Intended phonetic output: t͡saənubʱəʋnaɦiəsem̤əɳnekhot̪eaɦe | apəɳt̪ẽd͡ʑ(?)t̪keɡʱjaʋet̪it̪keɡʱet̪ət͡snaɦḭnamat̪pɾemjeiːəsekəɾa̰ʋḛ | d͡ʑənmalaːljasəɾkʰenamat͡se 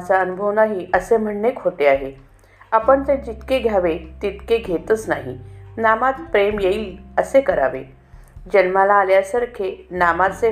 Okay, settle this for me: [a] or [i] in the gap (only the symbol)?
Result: i